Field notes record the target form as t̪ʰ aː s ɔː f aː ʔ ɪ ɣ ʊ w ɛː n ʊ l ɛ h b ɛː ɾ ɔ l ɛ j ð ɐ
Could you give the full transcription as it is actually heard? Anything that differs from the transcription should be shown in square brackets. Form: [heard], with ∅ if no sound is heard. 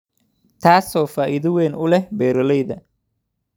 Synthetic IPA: t̪ʰ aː s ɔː f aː ʔ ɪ [ð] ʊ w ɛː n ʊ l ɛ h b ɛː ɾ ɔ l ɛ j ð ɐ